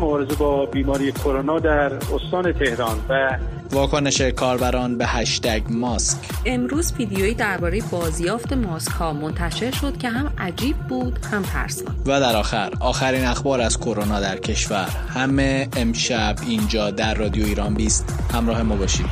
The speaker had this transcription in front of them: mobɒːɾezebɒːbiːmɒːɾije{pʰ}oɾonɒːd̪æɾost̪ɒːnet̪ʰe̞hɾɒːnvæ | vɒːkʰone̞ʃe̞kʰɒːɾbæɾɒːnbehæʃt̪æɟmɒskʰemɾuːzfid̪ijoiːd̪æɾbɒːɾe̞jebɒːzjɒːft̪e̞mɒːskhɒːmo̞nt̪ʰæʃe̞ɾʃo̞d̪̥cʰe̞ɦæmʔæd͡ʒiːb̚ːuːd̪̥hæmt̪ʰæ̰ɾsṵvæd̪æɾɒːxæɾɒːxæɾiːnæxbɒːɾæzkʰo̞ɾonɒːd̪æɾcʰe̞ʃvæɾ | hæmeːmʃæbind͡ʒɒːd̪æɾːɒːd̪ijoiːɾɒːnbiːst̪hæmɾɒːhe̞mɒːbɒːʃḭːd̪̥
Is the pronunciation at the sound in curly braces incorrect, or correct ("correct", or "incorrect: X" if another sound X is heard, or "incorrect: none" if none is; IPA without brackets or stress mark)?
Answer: incorrect: kʰ